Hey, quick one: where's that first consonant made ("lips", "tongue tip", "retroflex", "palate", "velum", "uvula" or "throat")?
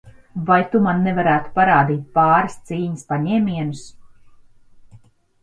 lips